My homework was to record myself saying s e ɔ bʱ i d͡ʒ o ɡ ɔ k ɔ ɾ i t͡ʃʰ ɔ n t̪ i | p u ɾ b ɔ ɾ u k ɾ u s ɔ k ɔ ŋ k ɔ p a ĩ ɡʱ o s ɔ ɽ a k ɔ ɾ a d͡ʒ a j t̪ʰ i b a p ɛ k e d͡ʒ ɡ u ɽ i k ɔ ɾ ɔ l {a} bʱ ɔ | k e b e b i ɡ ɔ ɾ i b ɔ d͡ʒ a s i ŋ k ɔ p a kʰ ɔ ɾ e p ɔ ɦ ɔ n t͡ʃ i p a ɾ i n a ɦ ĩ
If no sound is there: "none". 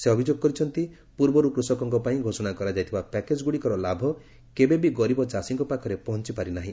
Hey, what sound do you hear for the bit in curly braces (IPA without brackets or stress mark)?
a